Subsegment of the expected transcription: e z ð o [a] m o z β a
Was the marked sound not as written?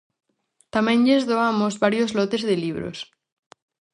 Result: no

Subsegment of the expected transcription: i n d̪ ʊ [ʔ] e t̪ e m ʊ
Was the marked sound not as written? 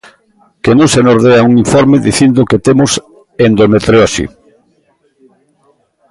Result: yes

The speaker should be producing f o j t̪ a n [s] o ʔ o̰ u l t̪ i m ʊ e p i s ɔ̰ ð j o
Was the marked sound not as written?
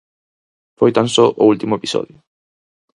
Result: no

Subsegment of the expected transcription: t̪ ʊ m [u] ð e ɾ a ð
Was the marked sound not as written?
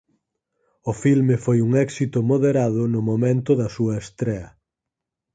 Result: yes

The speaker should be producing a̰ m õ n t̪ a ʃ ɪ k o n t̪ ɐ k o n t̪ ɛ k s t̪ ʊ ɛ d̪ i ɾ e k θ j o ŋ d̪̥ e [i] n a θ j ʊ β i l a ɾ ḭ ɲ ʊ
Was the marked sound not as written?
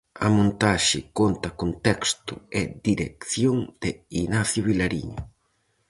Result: no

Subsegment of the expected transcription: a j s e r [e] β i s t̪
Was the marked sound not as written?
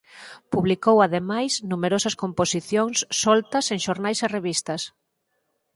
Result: no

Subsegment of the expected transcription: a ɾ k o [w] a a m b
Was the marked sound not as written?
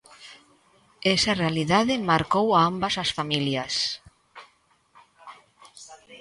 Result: no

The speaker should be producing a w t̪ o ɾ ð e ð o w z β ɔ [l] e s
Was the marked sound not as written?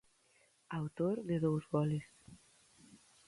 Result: no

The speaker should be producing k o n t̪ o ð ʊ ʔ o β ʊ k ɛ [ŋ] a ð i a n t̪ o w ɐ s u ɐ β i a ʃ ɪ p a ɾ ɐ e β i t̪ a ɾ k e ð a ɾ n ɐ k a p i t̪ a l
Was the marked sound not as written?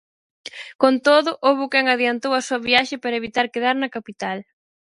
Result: no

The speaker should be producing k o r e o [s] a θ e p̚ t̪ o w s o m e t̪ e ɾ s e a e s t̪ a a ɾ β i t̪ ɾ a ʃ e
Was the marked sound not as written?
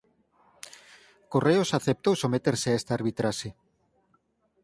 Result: no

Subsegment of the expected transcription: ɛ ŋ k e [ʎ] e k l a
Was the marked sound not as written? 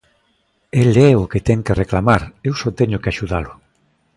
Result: yes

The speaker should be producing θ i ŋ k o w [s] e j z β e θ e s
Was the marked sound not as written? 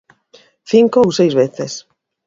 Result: no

